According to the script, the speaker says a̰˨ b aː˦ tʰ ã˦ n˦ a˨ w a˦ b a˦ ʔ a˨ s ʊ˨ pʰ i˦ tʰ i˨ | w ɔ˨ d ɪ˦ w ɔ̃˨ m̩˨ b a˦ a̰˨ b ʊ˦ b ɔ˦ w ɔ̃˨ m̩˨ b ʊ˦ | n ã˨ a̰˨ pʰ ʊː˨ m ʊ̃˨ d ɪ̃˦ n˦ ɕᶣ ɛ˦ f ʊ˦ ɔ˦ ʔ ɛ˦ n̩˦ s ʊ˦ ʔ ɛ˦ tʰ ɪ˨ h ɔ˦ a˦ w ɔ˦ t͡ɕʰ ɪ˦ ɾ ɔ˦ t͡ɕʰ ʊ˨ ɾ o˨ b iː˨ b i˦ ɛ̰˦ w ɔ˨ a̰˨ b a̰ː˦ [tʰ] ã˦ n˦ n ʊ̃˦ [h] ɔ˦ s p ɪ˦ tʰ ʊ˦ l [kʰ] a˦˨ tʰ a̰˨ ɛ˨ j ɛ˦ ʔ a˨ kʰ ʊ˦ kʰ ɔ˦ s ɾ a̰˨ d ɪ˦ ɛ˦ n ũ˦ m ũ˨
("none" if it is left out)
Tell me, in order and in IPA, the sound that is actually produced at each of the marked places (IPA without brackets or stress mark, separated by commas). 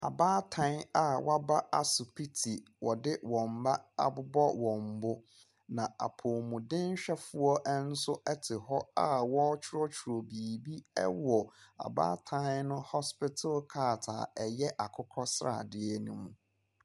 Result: tʰ, h, kʰ